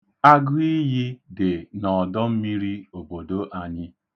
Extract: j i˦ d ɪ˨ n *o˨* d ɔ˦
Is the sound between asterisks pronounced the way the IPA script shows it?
no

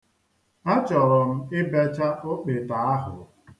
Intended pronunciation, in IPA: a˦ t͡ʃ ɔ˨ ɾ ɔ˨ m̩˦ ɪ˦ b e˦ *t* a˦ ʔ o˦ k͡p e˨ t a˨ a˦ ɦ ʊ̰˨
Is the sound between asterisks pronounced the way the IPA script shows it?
no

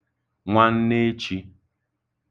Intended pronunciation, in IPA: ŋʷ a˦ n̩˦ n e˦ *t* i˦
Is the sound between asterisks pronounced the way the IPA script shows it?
no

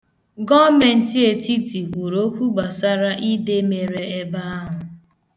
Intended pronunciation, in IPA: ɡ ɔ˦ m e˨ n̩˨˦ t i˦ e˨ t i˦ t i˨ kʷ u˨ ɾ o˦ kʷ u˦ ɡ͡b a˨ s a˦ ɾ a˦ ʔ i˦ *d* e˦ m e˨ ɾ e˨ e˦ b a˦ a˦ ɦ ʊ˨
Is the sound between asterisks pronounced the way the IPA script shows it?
yes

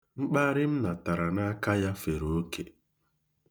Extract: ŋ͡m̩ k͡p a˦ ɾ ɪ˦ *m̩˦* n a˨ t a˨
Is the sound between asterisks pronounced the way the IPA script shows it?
yes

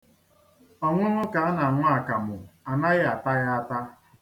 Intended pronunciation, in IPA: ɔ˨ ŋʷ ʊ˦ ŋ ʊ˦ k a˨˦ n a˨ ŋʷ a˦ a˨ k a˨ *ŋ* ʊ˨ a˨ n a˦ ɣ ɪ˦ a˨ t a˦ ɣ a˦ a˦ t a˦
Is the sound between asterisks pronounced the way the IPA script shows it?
no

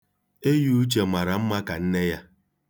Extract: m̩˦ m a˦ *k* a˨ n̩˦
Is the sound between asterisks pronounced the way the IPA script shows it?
yes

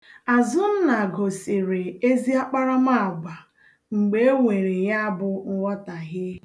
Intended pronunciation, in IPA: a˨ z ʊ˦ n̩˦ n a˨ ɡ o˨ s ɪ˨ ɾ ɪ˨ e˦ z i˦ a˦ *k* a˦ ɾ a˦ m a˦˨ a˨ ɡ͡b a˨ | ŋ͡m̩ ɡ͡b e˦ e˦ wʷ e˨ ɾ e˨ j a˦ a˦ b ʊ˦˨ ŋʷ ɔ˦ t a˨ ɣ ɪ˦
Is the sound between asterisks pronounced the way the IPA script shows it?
no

